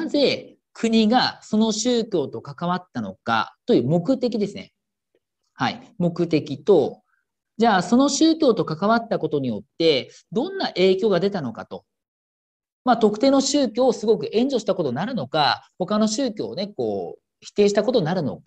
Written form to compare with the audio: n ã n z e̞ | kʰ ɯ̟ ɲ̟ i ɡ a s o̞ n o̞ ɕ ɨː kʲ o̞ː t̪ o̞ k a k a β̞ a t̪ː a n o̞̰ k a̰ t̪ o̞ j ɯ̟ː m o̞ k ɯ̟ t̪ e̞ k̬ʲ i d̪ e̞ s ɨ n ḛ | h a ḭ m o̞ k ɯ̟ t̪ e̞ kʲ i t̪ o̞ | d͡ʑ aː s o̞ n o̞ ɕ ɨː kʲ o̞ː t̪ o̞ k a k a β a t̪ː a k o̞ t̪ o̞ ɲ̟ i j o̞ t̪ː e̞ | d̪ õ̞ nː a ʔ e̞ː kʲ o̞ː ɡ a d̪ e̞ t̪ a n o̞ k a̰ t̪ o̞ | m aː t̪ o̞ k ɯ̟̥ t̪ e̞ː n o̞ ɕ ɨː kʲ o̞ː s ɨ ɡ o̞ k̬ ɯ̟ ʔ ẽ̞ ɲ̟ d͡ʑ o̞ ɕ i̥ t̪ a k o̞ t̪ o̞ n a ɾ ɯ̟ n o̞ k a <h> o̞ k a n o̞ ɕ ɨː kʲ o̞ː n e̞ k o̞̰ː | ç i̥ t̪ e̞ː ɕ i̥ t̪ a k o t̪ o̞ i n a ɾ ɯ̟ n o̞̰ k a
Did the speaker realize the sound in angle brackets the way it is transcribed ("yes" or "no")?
yes